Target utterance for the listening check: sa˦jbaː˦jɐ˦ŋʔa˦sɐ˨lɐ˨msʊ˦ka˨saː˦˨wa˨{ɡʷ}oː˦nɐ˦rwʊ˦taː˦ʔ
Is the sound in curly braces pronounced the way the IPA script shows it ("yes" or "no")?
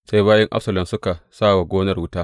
yes